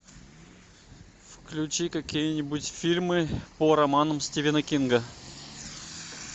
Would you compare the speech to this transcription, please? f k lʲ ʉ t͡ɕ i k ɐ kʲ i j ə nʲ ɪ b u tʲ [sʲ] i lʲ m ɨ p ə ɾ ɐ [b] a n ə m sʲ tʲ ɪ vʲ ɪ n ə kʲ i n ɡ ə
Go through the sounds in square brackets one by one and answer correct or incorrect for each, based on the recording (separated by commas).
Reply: incorrect, incorrect